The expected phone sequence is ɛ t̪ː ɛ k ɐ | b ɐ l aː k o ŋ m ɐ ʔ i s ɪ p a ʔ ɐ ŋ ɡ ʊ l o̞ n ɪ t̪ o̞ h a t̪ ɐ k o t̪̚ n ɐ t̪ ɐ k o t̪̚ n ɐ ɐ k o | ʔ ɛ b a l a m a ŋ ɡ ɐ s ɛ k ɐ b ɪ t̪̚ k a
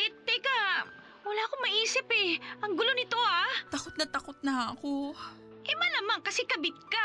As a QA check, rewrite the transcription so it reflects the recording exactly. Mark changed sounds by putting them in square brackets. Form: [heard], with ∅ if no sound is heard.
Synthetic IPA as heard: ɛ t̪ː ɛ k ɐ | [w] ɐ l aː k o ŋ m ɐ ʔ [iː] s ɪ p [ɛ] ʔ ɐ ŋ ɡ ʊ l o̞ n ɪ t̪ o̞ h a t̪ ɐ k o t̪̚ n ɐ t̪ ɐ k o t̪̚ n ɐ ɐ k o | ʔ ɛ [m] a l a m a ŋ [k] ɐ s ɛ k ɐ b ɪ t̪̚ k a